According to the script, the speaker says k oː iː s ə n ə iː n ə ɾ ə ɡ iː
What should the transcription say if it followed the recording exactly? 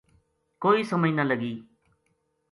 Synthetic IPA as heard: k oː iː s ə m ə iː n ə l ə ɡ iː